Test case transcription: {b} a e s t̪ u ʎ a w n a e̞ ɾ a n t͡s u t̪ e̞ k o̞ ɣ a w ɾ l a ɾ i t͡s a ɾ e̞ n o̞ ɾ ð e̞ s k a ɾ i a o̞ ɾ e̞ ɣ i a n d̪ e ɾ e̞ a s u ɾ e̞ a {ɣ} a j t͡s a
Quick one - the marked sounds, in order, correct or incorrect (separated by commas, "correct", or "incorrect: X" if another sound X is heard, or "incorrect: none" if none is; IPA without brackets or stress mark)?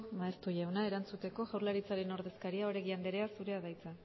incorrect: m, incorrect: ð